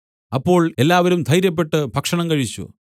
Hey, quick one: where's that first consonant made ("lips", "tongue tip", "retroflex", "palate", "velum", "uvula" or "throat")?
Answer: lips